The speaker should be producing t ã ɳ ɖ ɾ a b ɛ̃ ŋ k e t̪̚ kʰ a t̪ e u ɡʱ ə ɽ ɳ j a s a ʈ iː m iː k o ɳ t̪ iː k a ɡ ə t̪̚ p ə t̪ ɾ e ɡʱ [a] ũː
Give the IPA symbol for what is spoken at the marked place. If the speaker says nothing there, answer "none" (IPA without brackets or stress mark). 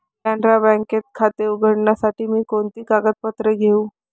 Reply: e